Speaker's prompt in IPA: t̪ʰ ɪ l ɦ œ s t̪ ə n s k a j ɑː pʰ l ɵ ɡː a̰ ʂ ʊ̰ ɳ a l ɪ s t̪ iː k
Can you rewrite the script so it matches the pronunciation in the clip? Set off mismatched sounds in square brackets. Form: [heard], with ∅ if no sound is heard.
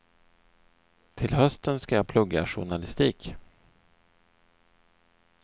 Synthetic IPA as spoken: t̪ʰ ɪ l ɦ œ s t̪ ə n s k a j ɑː pʰ l ɵ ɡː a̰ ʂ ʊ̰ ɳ a l ɪ s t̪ iː k

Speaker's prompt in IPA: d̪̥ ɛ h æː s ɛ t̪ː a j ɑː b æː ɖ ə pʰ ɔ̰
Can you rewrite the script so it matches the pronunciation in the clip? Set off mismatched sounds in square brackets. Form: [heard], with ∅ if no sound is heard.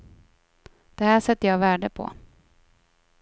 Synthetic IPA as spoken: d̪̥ ɛ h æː [ʂ] ɛ t̪ː [ə] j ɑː [v] æː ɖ ə pʰ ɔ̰

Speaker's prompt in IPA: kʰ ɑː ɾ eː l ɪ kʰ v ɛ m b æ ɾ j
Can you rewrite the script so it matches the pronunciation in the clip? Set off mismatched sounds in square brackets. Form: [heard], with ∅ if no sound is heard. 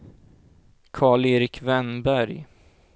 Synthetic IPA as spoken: kʰ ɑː [ɭ] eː [ɾ] ɪ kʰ v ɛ [n] b æ ɾ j

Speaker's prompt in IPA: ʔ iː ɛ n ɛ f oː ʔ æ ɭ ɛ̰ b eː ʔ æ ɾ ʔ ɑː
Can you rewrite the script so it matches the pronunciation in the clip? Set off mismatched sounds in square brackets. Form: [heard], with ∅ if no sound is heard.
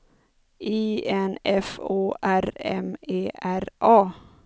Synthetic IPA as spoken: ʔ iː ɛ n ɛ f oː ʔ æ [ɾ] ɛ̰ [m] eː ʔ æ ɾ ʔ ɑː

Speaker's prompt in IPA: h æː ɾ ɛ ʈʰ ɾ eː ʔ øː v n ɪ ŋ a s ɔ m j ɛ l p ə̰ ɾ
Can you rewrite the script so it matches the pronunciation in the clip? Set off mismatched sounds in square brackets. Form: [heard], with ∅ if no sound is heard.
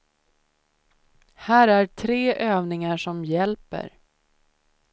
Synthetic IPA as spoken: h æː ɾ [æ] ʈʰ ɾ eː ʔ øː v n ɪ ŋ a [ʂ] ɔ m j ɛ l p ə̰ ɾ

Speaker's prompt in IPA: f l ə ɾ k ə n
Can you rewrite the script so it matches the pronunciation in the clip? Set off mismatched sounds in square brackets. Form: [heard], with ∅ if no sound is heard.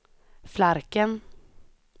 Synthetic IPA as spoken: f l [a] ɾ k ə n

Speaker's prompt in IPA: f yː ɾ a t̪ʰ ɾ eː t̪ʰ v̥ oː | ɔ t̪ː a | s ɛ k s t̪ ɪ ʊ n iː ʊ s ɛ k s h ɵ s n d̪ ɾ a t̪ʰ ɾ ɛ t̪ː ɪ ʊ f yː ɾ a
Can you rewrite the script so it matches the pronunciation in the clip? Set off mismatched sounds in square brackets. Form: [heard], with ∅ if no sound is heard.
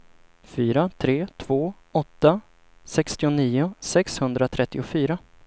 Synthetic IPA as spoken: f yː ɾ a t̪ʰ ɾ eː t̪ʰ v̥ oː | ɔ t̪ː a | s ɛ k s t̪ ɪ ʊ n iː ʊ s ɛ k s h ɵ [∅] n d̪ ɾ a t̪ʰ ɾ ɛ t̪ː ɪ ʊ f yː ɾ a

